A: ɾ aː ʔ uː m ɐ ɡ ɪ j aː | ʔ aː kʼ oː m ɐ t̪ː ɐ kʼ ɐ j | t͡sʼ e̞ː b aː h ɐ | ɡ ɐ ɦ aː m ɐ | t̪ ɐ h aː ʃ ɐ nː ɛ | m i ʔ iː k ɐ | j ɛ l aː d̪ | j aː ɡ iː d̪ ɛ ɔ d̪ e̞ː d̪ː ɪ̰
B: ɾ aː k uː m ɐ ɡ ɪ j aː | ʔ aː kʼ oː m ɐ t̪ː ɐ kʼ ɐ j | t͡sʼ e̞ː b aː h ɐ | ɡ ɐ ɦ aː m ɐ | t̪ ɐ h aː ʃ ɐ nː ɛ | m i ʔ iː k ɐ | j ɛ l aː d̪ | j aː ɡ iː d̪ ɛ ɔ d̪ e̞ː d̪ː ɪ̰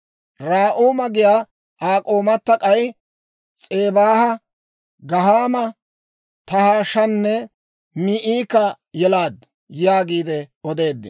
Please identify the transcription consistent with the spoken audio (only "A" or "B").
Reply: A